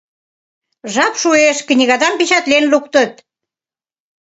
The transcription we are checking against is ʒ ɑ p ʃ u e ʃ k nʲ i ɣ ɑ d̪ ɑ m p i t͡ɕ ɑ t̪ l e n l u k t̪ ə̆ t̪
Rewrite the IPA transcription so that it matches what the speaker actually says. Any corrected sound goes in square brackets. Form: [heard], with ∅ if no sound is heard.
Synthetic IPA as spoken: ʒ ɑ p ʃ u e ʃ k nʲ i ɣ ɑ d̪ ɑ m p i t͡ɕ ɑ t̪ l e n l u k t̪ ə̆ t̪